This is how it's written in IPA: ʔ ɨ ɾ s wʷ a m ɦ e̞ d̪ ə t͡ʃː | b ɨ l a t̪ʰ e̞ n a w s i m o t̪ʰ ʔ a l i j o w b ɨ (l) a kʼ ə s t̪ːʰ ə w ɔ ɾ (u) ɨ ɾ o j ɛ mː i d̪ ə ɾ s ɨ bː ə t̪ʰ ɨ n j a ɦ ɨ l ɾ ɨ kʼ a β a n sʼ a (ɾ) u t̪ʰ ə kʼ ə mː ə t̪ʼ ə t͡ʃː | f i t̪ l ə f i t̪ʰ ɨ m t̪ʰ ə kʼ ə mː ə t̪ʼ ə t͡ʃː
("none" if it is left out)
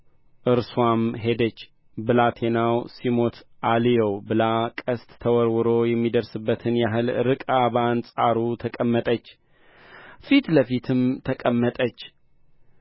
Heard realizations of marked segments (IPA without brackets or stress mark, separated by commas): l, w, ɾ